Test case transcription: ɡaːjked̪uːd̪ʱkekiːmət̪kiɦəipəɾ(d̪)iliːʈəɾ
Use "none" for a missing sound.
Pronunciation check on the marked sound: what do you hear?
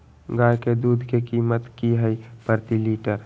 t̪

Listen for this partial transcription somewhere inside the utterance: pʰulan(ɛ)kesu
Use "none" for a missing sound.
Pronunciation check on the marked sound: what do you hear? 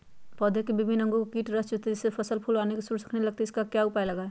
e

